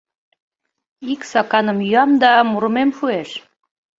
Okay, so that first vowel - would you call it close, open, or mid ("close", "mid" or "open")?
close